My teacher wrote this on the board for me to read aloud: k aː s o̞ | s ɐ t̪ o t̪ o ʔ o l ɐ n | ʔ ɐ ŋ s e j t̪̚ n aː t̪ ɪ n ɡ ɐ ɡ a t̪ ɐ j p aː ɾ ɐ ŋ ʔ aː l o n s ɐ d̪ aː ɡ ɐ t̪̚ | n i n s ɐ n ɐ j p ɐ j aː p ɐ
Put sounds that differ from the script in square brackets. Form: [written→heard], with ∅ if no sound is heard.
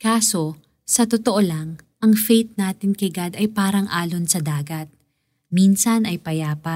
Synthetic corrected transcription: k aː s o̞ | s ɐ t̪ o t̪ o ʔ o l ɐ [n→ŋ] | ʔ ɐ ŋ [s→f] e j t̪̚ n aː t̪ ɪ n [ɡ→k] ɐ ɡ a [t̪→d̪] ɐ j p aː ɾ ɐ ŋ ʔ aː l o n s ɐ d̪ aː ɡ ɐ t̪̚ | [n→m] i n s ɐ n ɐ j p ɐ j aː p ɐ